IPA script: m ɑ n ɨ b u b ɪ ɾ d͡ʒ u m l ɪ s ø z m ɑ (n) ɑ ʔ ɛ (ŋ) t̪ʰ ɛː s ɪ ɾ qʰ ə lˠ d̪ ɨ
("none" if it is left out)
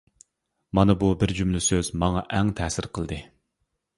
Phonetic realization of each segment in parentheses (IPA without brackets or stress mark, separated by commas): ŋ, ŋ